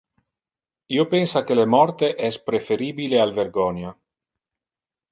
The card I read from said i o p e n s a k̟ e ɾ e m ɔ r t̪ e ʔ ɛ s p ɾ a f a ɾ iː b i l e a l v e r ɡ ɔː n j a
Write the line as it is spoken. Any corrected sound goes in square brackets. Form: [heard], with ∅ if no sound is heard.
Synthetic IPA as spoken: i o p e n s a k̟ e [l] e m ɔ r t̪ e ʔ ɛ s p ɾ [e] f [e] ɾ iː b i l e a l v e r ɡ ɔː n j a